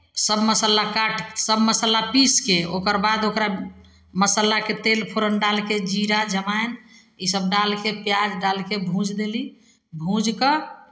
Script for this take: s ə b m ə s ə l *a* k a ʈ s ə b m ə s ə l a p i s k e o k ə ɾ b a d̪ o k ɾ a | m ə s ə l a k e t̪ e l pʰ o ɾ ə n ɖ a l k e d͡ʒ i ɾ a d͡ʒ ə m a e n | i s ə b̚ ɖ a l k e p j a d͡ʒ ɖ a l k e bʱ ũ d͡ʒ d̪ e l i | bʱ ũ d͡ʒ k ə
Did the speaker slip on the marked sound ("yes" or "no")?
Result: no